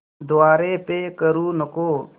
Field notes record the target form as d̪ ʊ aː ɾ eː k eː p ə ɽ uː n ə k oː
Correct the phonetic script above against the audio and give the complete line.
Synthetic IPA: d̪ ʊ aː ɾ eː p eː k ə ɾ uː n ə k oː

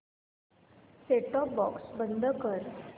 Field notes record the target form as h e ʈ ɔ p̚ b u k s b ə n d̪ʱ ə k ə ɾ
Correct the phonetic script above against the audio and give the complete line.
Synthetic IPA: s e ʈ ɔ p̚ b ɔ k s b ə n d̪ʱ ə k ə ɾ

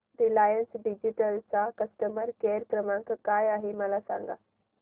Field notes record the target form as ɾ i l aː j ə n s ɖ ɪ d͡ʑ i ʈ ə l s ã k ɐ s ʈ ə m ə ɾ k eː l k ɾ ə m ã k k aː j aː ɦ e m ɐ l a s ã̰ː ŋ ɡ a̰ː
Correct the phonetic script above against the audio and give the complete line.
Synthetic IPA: ɾ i l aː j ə n s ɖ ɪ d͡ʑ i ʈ ə l s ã k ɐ s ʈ ə m ə ɾ k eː ɾ k ɾ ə m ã k k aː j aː ɦ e m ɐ l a s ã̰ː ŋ ɡ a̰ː

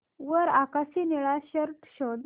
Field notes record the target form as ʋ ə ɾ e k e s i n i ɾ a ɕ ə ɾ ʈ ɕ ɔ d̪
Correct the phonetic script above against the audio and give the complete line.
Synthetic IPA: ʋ ə ɾ a k a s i n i ɭ a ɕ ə ɾ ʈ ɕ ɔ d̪

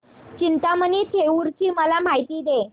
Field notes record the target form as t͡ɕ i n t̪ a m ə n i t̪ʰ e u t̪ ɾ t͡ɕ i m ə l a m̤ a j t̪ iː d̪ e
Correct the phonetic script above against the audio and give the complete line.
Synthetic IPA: t͡ɕ i n t̪ a m ə n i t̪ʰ e u ɾ t͡ɕ iː m ə l a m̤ a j t̪ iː d̪ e

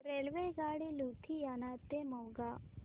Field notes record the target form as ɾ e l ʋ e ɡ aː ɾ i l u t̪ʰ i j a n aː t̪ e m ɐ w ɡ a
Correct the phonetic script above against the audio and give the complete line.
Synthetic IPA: ɾ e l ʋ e ɡ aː ɽ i l u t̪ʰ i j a n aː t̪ e m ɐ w ɡ a

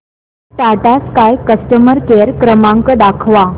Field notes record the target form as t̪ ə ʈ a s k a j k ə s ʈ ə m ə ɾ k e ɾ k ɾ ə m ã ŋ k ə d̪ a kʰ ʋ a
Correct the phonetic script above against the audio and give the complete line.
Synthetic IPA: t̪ a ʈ a s k a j k ə s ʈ ə m ə ɾ k e ɾ k ɾ ə m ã ŋ k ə d̪ a kʰ ʋ a

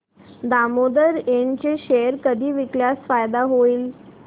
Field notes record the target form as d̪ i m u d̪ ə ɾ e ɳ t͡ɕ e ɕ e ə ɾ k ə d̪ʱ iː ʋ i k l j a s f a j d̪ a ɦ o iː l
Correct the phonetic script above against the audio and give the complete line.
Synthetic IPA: d̪ a m o d̪ ə ɾ e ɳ t͡ɕ e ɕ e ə ɾ k ə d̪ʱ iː ʋ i k l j a s f a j d̪ a ɦ o iː l

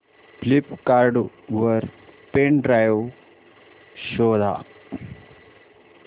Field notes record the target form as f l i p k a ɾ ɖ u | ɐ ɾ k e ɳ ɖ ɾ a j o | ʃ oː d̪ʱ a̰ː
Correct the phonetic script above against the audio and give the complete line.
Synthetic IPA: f l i p k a ɾ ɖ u | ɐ ɾ p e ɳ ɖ ɾ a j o | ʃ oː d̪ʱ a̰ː

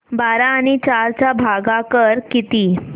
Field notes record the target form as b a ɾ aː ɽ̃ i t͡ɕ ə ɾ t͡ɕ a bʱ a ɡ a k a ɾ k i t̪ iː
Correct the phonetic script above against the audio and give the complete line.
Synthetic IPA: b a ɾ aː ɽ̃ i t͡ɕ a ɾ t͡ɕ a bʱ a ɡ a k ə ɾ k i t̪ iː

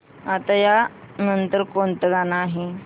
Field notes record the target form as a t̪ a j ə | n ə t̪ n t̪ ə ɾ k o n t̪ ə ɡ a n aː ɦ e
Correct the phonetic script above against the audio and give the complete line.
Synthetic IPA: a t̪ a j a | n ə n t̪ ə ɾ k o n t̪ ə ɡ a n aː ɦ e

